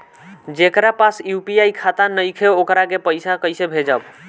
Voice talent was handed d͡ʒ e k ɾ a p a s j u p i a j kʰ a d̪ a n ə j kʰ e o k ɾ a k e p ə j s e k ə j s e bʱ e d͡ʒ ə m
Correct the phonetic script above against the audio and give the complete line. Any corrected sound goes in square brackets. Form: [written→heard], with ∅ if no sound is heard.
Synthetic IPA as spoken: d͡ʒ e k ɾ a p a s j u p i a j kʰ a [d̪→t̪] a n ə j kʰ e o k ɾ a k e p ə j s [e→a] k ə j s e bʱ e d͡ʒ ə [m→b]